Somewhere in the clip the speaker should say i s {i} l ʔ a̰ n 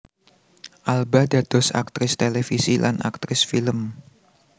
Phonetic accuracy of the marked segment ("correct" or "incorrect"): correct